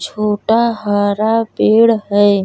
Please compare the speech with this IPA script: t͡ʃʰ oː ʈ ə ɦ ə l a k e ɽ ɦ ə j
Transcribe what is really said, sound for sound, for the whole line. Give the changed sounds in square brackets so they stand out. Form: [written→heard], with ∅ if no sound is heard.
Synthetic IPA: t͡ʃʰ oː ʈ [ə→a] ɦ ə [l→ɾ] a [k→p] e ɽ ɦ ə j